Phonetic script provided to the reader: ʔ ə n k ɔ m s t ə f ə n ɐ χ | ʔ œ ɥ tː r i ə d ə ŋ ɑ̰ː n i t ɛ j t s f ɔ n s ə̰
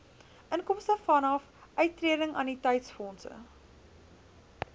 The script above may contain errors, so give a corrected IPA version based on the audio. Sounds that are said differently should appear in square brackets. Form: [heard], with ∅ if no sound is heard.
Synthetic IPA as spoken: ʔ ə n k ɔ m s t ə f [ɐ] n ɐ [f] | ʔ œ ɥ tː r i ə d ə ŋ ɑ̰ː n i t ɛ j t s f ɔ n s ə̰